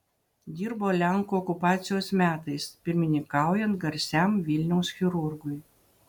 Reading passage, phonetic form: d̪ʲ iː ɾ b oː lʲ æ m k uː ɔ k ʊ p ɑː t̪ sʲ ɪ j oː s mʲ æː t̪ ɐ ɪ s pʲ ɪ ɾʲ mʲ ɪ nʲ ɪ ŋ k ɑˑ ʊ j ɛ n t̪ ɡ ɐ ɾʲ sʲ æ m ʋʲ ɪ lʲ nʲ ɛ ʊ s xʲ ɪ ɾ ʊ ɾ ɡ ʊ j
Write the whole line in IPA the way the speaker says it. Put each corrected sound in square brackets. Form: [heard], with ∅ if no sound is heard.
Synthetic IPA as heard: d̪ʲ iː ɾ b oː lʲ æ [ŋ] k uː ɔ k ʊ p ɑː t̪ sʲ ɪ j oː s mʲ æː t̪ ɐ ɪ s pʲ ɪ ɾʲ mʲ ɪ nʲ ɪ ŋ k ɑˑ ʊ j ɛ n t̪ ɡ ɐ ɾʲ sʲ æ m ʋʲ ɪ lʲ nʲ ɛ ʊ s xʲ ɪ ɾ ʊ ɾ ɡ ʊ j